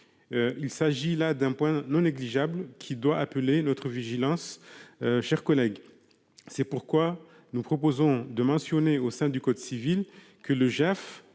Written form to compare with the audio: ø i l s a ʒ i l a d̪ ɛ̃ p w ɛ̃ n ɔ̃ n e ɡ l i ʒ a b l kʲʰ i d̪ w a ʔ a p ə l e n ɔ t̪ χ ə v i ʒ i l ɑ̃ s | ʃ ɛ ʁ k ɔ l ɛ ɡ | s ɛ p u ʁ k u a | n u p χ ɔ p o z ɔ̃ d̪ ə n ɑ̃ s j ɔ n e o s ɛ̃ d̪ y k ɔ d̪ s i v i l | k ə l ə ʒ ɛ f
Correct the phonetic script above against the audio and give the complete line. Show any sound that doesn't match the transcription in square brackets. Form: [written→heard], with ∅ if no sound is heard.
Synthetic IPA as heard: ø i l s a ʒ i l a d̪ ɛ̃ p w ɛ̃ n ɔ̃ n e ɡ l i ʒ a b l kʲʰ i d̪ w a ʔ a p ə l e n ɔ t̪ χ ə v i ʒ i l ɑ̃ s | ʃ ɛ ʁ k ɔ l ɛ ɡ | s ɛ p u ʁ k [u→w] a | n u p χ ɔ p o z ɔ̃ d̪ ə [n→m] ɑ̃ s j ɔ n e o s ɛ̃ d̪ y k ɔ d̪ s i v i l | k ə l ə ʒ ɛ f